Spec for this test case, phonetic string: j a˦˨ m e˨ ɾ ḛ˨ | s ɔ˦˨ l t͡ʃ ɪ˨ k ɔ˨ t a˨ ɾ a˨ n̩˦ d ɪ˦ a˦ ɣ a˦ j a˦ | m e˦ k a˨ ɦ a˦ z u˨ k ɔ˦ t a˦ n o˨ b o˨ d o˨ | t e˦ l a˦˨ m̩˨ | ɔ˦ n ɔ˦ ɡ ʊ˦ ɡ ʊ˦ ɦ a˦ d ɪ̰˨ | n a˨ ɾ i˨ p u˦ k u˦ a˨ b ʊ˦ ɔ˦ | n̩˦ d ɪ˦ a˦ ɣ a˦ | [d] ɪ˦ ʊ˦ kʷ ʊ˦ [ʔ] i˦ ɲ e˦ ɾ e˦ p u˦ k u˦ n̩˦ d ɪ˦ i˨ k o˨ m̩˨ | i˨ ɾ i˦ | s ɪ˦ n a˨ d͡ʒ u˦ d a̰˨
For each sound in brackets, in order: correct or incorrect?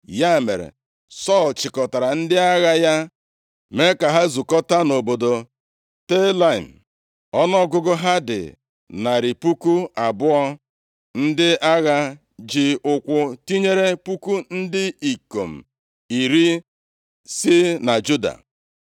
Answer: incorrect: d͡ʒ, incorrect: t

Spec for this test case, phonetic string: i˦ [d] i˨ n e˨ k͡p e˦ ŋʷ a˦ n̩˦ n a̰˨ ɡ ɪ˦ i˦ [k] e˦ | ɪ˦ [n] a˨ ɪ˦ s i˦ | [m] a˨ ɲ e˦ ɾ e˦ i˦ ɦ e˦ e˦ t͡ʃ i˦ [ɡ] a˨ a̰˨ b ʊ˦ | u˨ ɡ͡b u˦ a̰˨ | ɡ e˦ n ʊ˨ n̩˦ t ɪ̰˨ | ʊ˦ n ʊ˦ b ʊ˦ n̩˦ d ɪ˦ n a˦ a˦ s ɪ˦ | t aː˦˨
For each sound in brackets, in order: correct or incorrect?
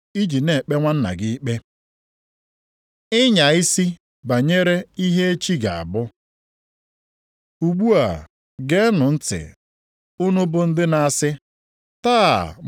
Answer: incorrect: d͡ʒ, incorrect: k͡p, incorrect: ɲ, incorrect: b, correct

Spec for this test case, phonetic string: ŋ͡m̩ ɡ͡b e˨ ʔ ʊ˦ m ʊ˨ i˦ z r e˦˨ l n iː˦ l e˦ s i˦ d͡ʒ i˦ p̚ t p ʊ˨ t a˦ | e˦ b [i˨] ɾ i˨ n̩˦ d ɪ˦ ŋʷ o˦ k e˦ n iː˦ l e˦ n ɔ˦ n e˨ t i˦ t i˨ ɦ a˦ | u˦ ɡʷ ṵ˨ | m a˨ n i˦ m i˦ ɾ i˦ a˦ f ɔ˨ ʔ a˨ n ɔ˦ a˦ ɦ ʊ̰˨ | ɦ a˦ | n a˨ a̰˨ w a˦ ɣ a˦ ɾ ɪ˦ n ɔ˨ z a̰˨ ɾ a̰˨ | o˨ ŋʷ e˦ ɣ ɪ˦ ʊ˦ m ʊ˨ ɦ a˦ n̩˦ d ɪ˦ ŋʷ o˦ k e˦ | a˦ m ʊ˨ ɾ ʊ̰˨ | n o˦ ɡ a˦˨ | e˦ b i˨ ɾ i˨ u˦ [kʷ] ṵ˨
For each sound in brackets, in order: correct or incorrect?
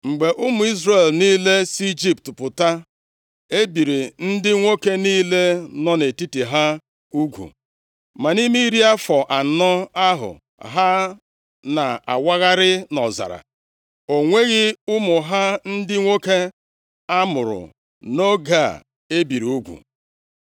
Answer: correct, incorrect: ɡʷ

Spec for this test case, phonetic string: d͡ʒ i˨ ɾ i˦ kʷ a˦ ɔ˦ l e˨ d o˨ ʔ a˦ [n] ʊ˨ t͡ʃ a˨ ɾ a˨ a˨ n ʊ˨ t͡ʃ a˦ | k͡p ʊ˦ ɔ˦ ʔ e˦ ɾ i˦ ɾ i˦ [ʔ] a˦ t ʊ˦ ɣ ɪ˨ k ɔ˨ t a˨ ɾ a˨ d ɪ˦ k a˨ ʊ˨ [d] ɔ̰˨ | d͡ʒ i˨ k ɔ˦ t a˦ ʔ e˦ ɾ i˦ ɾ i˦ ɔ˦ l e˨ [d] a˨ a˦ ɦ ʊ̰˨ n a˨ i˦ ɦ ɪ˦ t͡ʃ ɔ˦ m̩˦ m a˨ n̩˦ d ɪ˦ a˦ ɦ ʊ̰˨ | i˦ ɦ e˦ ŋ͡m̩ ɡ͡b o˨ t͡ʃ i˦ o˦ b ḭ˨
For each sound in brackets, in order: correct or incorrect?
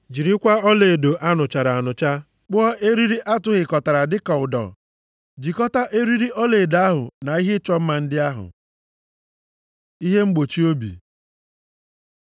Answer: correct, correct, correct, correct

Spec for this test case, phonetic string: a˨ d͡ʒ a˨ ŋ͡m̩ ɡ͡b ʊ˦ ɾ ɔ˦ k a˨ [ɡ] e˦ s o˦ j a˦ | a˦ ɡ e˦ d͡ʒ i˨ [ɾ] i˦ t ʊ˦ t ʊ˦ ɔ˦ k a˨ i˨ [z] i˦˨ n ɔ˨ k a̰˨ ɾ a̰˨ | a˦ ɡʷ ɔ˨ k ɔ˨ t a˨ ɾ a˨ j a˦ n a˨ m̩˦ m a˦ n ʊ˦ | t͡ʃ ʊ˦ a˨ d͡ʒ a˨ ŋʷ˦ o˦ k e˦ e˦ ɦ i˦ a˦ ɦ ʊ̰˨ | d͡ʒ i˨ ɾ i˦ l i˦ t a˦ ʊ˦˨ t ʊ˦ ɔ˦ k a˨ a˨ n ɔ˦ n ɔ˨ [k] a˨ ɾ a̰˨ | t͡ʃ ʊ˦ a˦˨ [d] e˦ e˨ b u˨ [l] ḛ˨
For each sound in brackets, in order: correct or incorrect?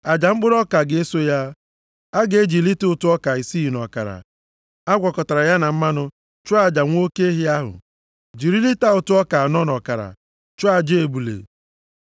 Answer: correct, incorrect: l, incorrect: s, correct, incorrect: d͡ʒ, correct

